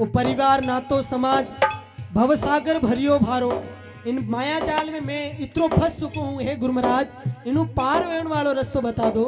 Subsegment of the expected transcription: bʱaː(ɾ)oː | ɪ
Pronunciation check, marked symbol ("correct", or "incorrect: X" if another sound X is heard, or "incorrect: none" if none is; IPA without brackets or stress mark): correct